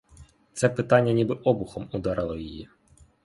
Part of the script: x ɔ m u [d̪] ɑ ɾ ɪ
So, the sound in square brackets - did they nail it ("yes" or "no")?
yes